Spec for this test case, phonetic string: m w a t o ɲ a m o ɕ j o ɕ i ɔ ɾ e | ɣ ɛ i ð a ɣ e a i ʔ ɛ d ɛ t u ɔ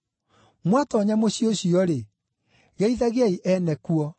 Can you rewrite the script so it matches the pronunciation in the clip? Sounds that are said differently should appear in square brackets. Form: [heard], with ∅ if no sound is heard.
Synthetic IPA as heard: m w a t [ɔ] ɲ a m o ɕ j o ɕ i ɔ ɾ e | ɣ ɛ i ð a ɣ e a i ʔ ɛ [n] ɛ [k] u ɔ